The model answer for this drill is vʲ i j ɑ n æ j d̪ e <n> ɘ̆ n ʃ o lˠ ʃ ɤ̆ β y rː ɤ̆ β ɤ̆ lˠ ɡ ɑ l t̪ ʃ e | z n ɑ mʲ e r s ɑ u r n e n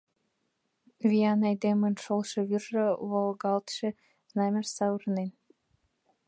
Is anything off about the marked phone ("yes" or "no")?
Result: yes